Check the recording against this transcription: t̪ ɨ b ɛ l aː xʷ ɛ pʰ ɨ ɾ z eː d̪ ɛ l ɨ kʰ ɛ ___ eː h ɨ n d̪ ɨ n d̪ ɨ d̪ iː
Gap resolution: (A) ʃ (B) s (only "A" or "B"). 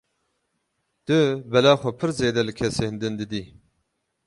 B